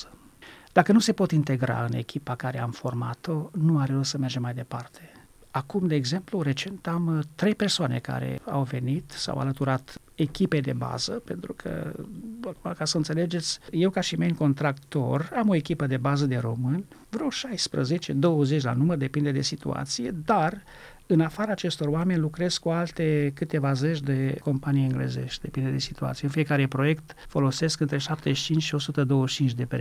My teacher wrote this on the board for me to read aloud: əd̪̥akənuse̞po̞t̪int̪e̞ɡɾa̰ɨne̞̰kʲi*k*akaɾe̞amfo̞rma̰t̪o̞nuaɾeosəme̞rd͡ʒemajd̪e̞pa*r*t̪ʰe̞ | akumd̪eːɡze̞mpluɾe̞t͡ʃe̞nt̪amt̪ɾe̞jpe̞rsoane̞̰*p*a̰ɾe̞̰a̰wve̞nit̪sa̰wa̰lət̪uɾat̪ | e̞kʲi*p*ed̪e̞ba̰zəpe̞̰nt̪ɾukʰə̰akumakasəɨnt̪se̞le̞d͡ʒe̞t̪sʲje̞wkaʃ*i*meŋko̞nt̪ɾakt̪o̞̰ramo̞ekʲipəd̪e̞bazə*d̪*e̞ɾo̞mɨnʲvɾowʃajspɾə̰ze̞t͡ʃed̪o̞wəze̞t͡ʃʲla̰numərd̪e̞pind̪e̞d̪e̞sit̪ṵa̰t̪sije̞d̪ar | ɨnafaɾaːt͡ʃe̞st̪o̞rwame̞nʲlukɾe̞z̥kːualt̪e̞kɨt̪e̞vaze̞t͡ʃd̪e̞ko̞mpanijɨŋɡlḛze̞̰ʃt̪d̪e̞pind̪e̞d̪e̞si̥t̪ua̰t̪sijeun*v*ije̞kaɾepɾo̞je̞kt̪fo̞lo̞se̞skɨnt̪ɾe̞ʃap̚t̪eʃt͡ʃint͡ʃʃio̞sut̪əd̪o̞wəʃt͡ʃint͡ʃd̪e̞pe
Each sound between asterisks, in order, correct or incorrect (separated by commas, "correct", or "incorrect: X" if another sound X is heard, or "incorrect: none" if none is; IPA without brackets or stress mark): incorrect: p, correct, incorrect: k, correct, correct, correct, incorrect: f